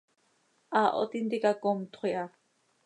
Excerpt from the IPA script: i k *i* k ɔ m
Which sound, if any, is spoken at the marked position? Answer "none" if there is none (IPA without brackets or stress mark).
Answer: a